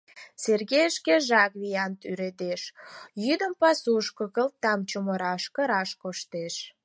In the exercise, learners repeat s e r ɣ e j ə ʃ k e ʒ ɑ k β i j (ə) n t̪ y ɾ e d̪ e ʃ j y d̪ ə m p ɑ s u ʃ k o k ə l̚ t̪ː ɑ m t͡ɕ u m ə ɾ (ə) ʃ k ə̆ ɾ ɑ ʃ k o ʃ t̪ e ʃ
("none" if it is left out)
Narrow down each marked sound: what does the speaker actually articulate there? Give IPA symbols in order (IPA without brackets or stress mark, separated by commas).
ɑ, ɑ